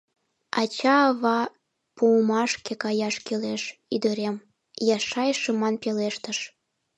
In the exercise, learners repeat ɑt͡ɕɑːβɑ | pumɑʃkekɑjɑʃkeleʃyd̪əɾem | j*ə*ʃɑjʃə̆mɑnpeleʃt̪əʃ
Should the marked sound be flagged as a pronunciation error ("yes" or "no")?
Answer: yes